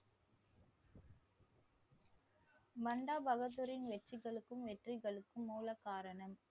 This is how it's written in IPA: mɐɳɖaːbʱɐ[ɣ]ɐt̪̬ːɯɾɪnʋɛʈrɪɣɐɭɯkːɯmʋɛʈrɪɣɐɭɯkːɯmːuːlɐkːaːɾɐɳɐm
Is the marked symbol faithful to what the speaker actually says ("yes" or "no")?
yes